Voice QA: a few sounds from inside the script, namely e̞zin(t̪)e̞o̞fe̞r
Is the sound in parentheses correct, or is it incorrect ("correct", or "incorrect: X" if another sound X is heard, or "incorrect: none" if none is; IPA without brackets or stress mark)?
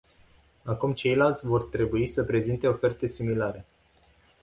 correct